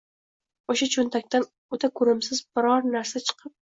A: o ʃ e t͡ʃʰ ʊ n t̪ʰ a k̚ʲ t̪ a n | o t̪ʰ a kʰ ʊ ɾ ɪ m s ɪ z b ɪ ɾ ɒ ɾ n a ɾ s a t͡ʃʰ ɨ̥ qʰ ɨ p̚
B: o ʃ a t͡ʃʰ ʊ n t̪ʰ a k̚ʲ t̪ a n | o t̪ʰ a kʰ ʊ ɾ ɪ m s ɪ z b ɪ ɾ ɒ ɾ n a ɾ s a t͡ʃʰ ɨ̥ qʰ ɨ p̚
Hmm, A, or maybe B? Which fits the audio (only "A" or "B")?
B